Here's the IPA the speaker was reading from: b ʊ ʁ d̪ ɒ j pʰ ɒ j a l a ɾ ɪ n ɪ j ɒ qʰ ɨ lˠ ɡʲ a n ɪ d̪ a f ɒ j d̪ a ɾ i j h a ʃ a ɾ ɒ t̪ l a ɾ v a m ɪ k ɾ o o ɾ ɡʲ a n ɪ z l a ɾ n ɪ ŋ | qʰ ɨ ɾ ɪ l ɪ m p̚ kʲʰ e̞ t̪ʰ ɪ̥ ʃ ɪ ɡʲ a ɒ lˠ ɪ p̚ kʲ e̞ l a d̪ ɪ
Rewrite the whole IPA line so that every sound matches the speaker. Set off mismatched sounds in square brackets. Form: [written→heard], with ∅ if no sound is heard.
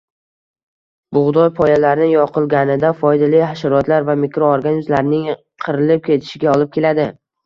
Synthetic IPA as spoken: b ʊ ʁ d̪ ɒ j pʰ ɒ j a l a ɾ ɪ n ɪ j ɒ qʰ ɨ lˠ ɡʲ a n ɪ d̪ a f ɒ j d̪ a [ɾ→l] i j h a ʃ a ɾ ɒ t̪ l a ɾ v a m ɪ k ɾ o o ɾ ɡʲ a n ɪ z l a ɾ n ɪ ŋ | qʰ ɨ ɾ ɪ l ɪ [m→∅] p̚ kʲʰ e̞ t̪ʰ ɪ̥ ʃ ɪ ɡʲ a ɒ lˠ ɪ p̚ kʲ e̞ l a d̪ ɪ